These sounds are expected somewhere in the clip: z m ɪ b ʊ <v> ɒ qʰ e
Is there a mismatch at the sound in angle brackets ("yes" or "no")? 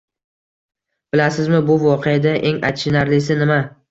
no